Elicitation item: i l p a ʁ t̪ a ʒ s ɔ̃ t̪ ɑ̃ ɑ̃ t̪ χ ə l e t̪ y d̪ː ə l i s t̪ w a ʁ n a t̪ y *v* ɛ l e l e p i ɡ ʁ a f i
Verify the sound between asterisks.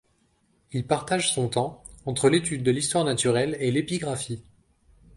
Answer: incorrect: ʁ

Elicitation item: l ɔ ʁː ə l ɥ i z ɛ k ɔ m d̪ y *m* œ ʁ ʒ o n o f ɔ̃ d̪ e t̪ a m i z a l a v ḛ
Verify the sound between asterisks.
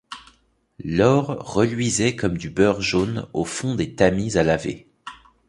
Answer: incorrect: b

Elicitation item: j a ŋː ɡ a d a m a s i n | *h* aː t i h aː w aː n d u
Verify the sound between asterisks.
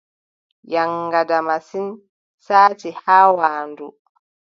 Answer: incorrect: s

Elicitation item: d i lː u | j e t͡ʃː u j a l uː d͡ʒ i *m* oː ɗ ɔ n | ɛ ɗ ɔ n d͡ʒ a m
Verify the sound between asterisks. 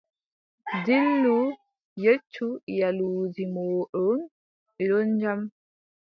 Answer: correct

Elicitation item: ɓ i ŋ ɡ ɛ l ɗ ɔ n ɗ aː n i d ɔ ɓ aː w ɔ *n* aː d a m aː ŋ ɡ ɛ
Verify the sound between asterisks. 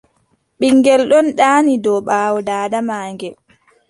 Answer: incorrect: d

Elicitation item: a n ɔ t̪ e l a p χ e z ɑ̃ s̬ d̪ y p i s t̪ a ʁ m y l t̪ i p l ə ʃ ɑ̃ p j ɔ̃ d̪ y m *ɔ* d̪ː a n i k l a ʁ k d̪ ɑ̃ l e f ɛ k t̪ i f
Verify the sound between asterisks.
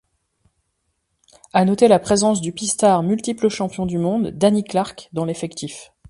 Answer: incorrect: ɔ̃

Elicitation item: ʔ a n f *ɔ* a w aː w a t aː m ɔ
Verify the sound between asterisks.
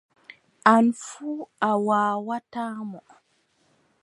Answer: incorrect: u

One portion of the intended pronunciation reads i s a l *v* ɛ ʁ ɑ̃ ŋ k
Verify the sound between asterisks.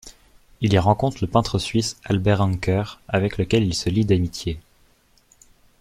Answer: incorrect: b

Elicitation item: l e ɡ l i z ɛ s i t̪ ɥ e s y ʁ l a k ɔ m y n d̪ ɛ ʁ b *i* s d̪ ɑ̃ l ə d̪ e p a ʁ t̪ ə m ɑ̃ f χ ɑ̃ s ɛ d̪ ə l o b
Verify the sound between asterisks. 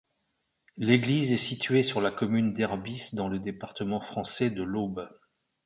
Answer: correct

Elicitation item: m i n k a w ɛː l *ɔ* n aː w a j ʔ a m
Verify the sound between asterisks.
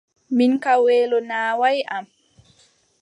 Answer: correct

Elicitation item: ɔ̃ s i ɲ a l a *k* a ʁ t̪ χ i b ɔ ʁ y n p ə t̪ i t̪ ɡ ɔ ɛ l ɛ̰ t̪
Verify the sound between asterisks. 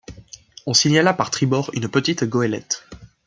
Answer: incorrect: p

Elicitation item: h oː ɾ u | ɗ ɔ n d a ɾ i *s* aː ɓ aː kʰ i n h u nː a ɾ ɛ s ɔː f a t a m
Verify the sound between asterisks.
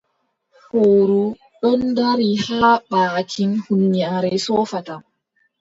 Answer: incorrect: h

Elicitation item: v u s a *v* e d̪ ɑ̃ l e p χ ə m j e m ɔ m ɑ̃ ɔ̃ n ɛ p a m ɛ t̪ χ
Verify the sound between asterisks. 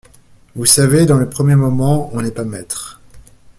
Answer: correct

